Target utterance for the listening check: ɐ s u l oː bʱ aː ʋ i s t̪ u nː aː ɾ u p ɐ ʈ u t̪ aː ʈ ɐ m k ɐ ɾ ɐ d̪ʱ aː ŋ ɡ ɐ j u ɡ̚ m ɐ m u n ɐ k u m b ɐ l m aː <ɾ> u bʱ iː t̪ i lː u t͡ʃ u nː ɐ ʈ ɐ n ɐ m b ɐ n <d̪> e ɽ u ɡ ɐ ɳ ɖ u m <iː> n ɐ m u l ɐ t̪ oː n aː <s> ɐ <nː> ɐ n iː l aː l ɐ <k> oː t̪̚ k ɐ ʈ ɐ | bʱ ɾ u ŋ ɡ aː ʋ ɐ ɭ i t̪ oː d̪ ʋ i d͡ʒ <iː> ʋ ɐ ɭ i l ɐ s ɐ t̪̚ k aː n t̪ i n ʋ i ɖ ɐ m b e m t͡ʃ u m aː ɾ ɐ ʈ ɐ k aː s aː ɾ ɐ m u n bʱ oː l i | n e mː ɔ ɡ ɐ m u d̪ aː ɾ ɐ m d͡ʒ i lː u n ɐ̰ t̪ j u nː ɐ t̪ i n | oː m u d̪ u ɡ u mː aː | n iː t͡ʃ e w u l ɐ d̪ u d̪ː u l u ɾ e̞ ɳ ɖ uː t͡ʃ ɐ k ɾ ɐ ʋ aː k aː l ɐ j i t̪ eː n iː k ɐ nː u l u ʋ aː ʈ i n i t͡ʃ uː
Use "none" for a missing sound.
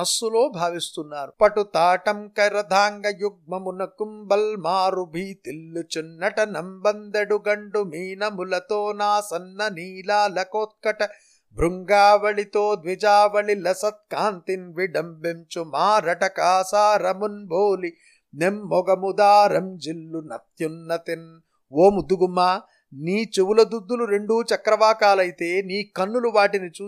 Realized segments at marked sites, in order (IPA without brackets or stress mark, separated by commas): ɾ, d̪, iː, s, nː, k, aː